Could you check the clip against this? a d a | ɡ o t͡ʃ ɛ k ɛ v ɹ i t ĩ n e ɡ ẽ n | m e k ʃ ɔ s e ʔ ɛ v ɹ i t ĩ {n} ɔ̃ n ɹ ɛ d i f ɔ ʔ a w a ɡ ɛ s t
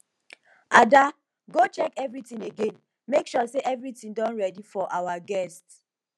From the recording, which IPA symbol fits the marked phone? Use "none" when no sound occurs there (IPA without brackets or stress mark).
d